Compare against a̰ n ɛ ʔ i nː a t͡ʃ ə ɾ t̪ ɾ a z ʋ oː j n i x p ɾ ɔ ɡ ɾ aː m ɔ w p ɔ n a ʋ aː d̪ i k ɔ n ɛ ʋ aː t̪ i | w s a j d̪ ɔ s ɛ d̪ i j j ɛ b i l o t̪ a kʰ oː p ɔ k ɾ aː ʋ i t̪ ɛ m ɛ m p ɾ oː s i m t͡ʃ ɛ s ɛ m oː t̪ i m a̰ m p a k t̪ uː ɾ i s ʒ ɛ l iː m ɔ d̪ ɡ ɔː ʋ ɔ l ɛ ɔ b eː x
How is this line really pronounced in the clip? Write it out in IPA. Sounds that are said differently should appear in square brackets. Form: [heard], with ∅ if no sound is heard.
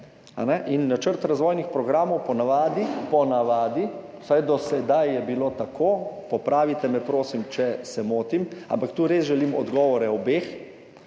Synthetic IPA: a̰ n ɛ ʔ i nː a t͡ʃ ə ɾ t̪ ɾ a z ʋ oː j n i x p ɾ ɔ ɡ ɾ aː m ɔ w p ɔ n a ʋ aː d̪ i [p] ɔ n [a] ʋ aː [d̪] i | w s a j d̪ ɔ s ɛ d̪ [a] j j ɛ b i l o t̪ a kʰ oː p ɔ [p] ɾ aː ʋ i t̪ ɛ m ɛ [∅] p ɾ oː s i m t͡ʃ ɛ s ɛ m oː t̪ i m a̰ m p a k t̪ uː ɾ [e] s ʒ ɛ l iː m ɔ d̪ ɡ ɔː ʋ ɔ [ɾ] ɛ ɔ b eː x